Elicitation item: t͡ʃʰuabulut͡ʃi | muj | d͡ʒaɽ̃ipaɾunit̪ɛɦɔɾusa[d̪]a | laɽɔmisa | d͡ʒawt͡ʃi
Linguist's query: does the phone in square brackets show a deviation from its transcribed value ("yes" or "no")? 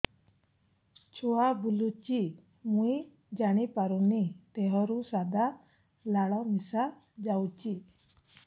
no